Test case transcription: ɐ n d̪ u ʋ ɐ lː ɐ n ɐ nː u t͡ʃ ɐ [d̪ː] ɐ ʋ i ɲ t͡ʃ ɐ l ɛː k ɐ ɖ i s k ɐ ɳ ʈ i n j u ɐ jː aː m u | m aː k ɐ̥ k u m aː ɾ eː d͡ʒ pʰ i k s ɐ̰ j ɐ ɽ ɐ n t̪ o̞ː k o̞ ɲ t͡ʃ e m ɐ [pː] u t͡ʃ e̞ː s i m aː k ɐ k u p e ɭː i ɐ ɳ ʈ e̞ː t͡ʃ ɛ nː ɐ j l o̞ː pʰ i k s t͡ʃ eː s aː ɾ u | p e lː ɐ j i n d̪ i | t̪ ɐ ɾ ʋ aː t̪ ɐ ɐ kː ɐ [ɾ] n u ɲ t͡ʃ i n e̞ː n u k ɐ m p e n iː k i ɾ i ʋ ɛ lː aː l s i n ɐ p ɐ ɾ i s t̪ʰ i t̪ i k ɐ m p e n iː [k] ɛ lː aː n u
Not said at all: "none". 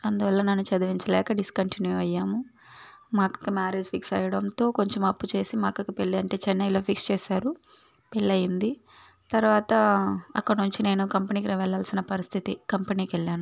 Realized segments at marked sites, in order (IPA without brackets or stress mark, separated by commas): d̪, pː, ɽ, k